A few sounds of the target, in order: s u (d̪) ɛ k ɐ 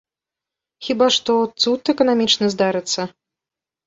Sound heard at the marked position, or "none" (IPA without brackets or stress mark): t̪